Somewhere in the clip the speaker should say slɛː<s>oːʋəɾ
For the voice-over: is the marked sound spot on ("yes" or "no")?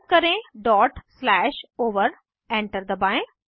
no